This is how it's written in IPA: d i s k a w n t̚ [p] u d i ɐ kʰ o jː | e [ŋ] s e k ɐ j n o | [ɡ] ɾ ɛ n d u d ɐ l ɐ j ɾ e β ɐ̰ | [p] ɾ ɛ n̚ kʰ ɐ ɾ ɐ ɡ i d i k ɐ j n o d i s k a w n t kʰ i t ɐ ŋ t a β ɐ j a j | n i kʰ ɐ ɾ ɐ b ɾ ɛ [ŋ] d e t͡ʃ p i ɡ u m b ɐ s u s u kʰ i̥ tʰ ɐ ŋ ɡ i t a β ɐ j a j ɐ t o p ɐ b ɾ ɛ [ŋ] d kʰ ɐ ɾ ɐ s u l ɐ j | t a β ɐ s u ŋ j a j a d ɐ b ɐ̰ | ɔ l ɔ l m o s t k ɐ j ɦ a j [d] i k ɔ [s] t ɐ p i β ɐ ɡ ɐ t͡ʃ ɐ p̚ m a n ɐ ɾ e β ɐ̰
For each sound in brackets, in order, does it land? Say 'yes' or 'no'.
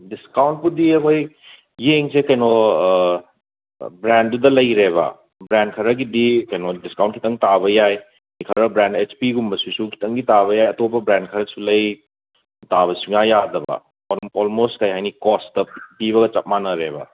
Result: yes, yes, no, no, no, no, no, yes

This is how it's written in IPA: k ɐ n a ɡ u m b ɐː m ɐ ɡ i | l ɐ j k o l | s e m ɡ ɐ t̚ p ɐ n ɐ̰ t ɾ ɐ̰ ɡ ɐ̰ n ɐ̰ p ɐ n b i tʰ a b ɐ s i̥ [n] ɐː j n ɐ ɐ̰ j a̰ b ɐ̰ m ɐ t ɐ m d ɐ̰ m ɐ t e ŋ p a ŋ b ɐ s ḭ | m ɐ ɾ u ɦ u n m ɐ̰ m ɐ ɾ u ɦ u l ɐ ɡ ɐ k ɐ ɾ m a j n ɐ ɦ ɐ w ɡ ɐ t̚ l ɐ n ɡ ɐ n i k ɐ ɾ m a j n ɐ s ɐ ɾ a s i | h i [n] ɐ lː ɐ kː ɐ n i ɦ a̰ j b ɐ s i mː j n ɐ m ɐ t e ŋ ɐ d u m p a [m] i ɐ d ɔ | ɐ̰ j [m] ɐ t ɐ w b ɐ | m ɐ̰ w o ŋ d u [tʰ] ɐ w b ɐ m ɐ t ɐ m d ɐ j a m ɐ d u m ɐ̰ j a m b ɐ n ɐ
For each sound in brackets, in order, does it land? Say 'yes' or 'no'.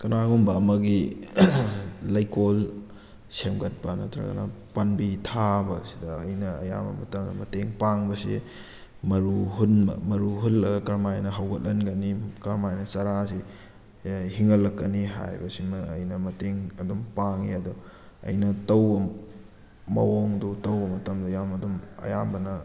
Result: no, no, no, no, no

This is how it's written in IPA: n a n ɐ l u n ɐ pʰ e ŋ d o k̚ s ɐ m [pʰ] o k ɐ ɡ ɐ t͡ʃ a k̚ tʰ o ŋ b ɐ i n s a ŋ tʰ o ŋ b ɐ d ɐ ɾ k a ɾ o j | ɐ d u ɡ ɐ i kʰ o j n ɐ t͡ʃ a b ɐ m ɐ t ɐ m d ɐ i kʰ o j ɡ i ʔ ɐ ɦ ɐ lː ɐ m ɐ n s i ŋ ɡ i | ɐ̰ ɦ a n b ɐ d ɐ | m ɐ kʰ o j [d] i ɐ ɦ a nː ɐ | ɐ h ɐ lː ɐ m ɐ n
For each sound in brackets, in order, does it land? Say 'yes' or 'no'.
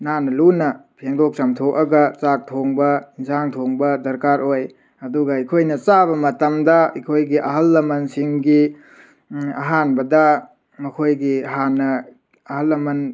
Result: no, no

